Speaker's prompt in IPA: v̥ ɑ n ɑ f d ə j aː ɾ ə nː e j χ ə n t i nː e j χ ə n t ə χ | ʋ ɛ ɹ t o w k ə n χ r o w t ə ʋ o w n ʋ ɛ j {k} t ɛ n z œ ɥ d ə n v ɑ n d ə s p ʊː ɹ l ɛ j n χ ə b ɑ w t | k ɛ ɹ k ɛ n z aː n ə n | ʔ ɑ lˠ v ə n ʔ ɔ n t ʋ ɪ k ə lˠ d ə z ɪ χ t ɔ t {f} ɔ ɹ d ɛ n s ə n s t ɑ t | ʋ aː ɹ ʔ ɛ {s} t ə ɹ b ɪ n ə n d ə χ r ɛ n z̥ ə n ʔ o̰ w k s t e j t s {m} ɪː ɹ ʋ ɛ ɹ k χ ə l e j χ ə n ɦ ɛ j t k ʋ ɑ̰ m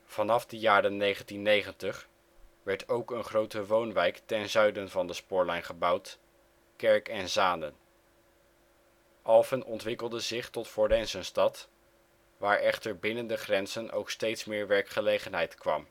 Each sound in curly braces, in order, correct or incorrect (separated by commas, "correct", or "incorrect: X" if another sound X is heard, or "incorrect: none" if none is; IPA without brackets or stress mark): correct, correct, incorrect: χ, correct